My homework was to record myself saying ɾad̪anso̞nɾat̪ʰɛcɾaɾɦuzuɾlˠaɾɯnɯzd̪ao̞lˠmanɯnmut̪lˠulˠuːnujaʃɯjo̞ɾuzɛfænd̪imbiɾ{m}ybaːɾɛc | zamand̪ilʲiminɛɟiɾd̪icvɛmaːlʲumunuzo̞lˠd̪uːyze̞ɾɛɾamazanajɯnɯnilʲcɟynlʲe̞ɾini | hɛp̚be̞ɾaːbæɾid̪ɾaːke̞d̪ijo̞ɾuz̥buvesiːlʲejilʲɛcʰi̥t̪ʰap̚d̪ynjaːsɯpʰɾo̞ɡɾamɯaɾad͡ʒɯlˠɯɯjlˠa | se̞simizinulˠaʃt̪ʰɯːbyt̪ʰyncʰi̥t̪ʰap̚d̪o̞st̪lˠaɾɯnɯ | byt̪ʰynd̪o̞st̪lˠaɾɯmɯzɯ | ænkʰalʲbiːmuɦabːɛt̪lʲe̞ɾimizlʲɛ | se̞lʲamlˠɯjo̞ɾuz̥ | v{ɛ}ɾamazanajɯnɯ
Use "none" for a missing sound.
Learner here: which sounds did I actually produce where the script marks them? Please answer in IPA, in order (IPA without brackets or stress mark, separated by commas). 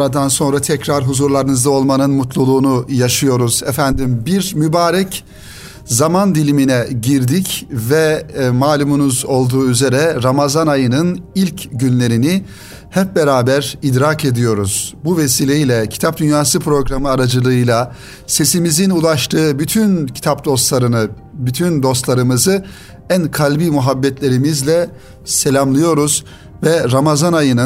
m, ɛ